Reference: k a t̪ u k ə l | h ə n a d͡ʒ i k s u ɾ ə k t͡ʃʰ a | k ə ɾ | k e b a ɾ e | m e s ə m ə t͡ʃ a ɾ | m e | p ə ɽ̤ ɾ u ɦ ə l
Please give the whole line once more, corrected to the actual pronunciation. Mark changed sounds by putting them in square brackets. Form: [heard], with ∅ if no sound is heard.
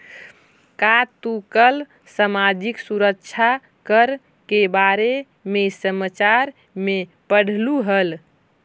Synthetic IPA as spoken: k a t̪ u k ə l | [s] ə [m] a d͡ʒ i k s u ɾ ə k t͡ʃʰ a | k ə ɾ | k e b a ɾ e | m e s ə m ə t͡ʃ a ɾ | m e | p ə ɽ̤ [l] u ɦ ə l

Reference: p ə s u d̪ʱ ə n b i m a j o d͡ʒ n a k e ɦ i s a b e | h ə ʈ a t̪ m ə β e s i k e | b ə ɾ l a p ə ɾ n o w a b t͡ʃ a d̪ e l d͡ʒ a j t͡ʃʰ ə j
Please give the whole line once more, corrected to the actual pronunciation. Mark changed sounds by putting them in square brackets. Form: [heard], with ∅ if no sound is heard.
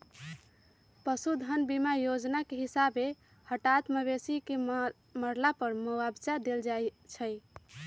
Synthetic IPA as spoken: p ə s u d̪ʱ ə n b i m a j o d͡ʒ n a k e ɦ i s a b e | h ə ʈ a t̪ m ə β e s i k e | [m] ə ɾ l a p ə ɾ [m] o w a b t͡ʃ a d̪ e l d͡ʒ a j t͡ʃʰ ə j

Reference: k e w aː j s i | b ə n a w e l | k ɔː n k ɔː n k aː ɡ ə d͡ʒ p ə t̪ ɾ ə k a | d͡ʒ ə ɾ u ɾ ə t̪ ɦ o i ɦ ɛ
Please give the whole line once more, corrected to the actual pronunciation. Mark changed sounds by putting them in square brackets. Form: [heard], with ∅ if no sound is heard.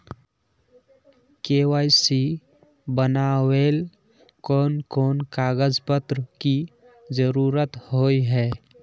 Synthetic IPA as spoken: k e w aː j s i | b ə n a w e l | k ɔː n k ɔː n k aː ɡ ə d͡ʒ p ə t̪ ɾ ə k [i] | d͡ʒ ə ɾ u ɾ ə t̪ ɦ o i ɦ ɛ

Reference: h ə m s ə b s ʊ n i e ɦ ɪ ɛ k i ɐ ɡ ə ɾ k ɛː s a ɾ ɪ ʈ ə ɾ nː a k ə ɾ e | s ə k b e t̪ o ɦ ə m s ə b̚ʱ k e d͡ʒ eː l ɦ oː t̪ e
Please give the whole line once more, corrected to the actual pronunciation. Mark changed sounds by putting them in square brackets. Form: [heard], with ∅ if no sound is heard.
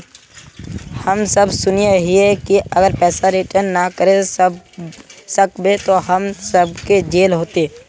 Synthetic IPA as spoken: h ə m s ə b s ʊ n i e ɦ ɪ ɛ k i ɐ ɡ ə ɾ [p] ɛː s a ɾ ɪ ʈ ə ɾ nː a k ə ɾ e | s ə k b e t̪ o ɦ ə m s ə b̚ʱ k e d͡ʒ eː l ɦ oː t̪ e

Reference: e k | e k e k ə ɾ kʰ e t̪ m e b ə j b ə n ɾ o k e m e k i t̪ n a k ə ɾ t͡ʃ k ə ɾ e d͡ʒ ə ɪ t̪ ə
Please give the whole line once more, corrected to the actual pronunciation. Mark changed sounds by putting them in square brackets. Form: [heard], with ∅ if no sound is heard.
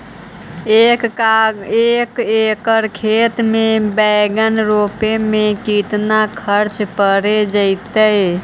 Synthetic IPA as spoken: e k | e k e k ə ɾ kʰ e t̪ m e b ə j [ɡ] ə n ɾ o [p] e m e k i t̪ n a [kʰ] ə ɾ t͡ʃ [p] ə ɾ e d͡ʒ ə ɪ t̪ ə

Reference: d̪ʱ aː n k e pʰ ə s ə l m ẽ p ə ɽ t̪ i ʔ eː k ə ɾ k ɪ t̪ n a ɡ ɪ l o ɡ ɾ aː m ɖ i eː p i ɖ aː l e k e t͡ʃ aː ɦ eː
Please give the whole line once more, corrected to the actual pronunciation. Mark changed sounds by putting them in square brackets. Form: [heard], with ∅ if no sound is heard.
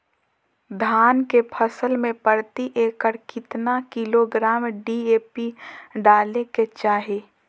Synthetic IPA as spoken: d̪ʱ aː n k e pʰ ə s ə l m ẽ p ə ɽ t̪ i ʔ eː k ə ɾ k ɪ t̪ n a [k] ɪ l o ɡ ɾ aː m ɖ i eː p i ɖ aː l e k e t͡ʃ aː ɦ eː

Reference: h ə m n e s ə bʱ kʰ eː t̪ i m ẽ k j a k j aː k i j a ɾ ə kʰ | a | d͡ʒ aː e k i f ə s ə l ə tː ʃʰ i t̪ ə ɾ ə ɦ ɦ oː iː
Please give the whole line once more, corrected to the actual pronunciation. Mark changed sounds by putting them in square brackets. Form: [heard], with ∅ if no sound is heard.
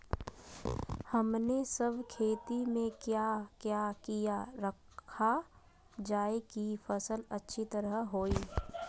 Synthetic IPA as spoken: h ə m n e s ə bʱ kʰ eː t̪ i m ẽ k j a k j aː k i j a ɾ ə kʰ | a | d͡ʒ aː e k i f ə s ə l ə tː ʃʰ i t̪ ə ɾ ə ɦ ɦ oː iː

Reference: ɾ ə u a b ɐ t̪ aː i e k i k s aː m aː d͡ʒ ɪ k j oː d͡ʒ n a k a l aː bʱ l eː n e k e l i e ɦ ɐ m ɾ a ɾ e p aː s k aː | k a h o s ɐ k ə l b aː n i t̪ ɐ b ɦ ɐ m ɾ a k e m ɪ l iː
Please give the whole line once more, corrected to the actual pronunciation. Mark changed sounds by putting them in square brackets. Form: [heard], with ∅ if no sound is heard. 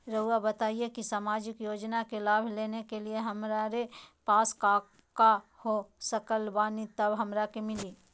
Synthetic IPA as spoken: ɾ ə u a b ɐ t̪ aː i e k i [∅] s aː m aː d͡ʒ ɪ k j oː d͡ʒ n a k [e] l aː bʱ l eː n e k e l i e ɦ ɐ m ɾ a ɾ e p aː s k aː | k a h o s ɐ k ə l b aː n i t̪ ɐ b ɦ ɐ m ɾ a k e m ɪ l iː

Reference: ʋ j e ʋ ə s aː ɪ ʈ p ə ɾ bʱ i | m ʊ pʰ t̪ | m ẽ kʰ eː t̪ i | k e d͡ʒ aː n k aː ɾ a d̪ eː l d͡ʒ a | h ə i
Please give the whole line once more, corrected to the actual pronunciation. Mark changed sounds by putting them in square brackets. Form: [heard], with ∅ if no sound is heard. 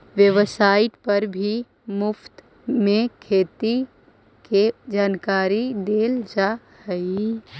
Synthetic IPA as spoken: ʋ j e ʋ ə s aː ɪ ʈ p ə ɾ bʱ i | m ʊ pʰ t̪ | m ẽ kʰ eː t̪ i | k e d͡ʒ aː n k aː ɾ [i] d̪ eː l d͡ʒ a | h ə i

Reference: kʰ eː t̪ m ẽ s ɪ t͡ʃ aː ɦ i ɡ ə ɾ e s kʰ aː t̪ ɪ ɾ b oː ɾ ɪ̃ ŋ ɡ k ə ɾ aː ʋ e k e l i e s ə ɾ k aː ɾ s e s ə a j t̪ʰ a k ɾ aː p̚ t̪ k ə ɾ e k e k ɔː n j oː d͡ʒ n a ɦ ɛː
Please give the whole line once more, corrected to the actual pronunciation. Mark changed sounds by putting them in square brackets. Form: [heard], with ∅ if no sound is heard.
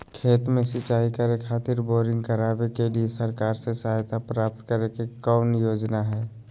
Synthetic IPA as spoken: kʰ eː t̪ m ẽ s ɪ t͡ʃ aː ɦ i [k] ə ɾ e [∅] kʰ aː t̪ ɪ ɾ b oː ɾ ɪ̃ ŋ ɡ k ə ɾ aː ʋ e k e l i e s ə ɾ k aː ɾ s e s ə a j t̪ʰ a [p] ɾ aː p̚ t̪ k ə ɾ e k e k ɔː n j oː d͡ʒ n a ɦ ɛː

